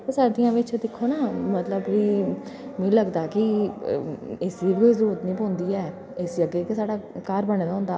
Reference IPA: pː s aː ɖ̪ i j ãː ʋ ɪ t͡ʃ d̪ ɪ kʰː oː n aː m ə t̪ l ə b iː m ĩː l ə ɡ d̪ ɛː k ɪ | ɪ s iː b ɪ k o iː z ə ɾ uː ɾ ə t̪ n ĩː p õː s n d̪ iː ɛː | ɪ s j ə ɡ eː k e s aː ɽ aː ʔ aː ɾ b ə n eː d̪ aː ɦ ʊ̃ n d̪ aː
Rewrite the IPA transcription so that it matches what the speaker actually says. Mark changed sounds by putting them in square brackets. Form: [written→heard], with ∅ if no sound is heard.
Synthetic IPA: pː s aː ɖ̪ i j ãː ʋ ɪ t͡ʃ d̪ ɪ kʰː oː n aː m ə t̪ l ə b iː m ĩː l ə ɡ d̪ [ɛː→aː] k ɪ | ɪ s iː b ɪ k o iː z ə ɾ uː ɾ ə t̪ n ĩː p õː [s→∅] n d̪ iː ɛː | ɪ s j ə ɡ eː k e s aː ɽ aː [ʔ→k] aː ɾ b ə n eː d̪ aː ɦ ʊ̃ n d̪ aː